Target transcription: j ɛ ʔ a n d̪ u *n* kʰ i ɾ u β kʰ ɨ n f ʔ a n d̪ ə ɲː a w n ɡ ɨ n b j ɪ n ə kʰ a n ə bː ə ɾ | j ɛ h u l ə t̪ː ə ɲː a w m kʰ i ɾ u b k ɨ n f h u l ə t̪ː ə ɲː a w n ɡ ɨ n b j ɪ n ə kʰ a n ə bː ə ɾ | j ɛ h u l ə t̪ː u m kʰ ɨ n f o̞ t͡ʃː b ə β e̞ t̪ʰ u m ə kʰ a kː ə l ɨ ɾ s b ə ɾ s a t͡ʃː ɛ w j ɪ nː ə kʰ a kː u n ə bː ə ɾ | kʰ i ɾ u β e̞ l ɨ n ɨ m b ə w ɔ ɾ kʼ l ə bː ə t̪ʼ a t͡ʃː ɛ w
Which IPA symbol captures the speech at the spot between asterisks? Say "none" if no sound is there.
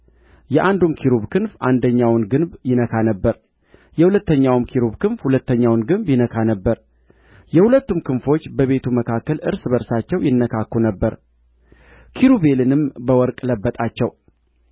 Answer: m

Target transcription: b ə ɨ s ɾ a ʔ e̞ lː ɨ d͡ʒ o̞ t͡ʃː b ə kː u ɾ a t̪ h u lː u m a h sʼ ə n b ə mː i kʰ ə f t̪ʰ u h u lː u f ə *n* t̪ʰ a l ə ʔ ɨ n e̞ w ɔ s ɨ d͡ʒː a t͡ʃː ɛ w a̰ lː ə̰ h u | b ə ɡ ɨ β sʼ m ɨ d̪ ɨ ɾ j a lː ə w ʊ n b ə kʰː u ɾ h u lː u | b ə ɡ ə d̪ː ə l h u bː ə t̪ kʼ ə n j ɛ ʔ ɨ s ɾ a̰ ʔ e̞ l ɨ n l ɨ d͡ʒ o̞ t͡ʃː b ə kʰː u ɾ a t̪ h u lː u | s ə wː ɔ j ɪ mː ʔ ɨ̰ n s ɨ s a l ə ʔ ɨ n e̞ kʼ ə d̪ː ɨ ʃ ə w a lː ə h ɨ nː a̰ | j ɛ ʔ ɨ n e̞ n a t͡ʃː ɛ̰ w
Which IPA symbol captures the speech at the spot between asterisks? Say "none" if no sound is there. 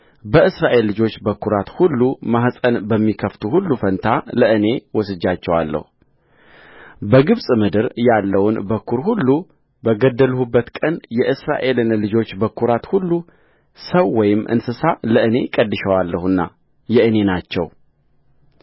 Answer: n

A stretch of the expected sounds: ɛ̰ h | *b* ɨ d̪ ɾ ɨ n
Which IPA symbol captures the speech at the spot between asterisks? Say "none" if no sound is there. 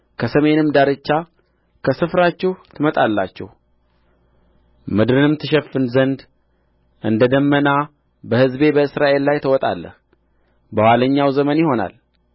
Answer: m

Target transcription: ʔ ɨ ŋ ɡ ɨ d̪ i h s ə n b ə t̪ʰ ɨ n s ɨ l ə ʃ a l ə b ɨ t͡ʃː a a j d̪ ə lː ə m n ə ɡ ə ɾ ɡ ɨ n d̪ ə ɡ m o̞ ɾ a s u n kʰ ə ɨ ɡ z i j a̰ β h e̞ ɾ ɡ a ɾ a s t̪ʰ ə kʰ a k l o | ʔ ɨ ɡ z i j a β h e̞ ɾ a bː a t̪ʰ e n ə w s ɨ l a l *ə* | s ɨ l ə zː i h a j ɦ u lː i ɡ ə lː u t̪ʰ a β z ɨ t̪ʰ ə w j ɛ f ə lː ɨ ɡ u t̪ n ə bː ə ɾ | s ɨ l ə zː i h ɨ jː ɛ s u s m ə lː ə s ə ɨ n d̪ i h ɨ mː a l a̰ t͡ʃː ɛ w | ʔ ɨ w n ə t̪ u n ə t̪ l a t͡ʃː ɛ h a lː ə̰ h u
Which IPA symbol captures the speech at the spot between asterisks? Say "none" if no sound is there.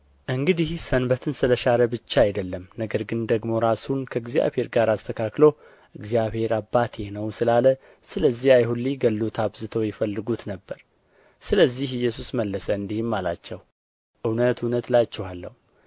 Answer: ə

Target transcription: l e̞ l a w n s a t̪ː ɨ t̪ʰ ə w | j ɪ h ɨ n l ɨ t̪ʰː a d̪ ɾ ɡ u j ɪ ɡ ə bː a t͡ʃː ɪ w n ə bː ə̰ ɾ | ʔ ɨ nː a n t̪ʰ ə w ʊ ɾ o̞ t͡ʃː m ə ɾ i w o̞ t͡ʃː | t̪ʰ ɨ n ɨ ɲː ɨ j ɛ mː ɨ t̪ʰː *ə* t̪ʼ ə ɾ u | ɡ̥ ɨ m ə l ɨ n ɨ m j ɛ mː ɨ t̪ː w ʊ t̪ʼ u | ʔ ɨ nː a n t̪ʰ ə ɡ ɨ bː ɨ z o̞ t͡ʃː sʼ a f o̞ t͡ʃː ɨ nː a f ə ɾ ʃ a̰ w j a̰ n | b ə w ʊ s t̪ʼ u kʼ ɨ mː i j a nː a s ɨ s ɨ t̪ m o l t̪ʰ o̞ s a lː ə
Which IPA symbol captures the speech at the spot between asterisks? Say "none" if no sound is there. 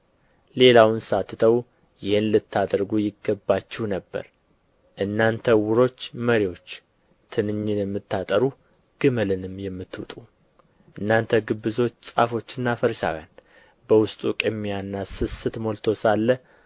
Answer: a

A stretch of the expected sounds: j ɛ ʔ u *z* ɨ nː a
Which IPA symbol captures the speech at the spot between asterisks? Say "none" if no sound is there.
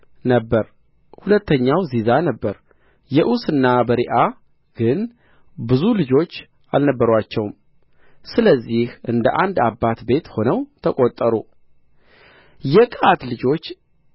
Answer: s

